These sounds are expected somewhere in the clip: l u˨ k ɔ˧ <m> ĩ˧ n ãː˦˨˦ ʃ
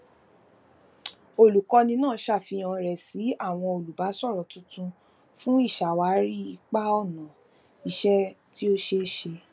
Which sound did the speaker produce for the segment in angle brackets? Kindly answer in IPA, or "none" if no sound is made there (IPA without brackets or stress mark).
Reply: n